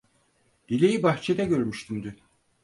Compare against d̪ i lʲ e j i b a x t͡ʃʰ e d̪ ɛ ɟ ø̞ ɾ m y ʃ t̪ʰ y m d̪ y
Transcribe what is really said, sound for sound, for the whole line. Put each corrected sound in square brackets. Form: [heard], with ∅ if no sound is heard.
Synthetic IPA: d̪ i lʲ e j i b a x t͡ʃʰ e d̪ ɛ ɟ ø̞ ɾ m y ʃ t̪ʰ y m d̪ y

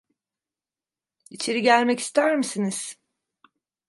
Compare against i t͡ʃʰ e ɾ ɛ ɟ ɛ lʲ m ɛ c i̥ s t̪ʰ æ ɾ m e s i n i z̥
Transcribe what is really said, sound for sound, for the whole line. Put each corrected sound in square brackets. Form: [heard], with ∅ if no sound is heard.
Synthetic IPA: i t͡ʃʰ e ɾ [i] ɟ [æ] lʲ m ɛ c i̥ s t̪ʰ æ ɾ m [i] s i n i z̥

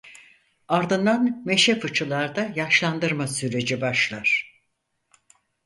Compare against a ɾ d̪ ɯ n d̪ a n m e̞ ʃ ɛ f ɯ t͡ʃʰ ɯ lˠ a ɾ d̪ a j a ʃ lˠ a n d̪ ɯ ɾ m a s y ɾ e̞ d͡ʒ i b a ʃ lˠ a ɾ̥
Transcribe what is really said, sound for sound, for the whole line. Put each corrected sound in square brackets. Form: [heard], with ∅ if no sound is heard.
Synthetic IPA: a ɾ d̪ ɯ n d̪ a n m e̞ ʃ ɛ f ɯ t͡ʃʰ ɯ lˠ a ɾ d̪ a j a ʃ lˠ a n d̪ ɯ ɾ m a s y ɾ e̞ d͡ʒ i b a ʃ lˠ a ɾ̥

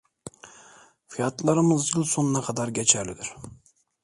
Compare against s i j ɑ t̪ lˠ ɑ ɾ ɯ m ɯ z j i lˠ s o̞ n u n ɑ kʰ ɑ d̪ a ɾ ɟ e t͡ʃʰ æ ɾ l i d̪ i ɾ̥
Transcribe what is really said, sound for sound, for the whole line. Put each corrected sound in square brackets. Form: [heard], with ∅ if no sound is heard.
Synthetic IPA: [f] i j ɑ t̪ lˠ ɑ ɾ ɯ m ɯ z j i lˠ s o̞ n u n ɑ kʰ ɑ d̪ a ɾ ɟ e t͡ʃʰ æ ɾ l i d̪ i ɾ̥

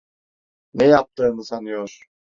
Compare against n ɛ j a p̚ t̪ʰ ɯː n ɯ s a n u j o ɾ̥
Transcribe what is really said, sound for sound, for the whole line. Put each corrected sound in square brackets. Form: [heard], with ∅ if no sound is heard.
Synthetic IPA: n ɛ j a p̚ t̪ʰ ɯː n ɯ s a n [ɯ] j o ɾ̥

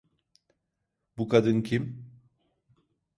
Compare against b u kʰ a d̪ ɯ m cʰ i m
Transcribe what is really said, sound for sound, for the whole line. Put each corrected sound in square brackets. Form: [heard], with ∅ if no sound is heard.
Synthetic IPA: b u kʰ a d̪ ɯ [n] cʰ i m

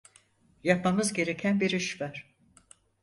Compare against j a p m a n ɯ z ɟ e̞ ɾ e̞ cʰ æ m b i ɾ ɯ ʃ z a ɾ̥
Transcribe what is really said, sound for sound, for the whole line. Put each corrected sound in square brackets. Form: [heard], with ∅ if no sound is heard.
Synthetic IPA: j a p m a [m] ɯ z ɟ e̞ ɾ e̞ cʰ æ [n] b i ɾ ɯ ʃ [v] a ɾ̥

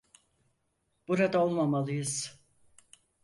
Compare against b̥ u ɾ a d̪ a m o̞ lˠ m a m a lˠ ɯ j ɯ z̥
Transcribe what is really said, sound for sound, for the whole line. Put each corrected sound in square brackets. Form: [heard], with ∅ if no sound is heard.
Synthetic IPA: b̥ u ɾ a d̪ a [∅] o̞ lˠ m a m a lˠ ɯ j ɯ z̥

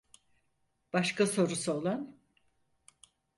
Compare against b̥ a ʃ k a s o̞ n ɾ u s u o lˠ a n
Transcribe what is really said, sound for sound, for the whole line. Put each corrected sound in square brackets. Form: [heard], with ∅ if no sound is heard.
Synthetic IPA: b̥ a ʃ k a s o̞ [∅] ɾ u s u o lˠ a n

